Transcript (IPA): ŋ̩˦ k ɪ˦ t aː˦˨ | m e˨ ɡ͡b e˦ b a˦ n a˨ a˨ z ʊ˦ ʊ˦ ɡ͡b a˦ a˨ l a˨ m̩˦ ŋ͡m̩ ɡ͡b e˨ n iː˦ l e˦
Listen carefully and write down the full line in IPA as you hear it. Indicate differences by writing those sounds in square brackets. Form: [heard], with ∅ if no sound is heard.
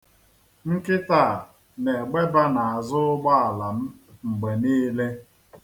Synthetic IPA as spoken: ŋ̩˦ k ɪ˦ t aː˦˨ | [n] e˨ ɡ͡b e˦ b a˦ n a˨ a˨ z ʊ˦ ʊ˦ ɡ͡b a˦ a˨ l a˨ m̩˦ ŋ͡m̩ ɡ͡b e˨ n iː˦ l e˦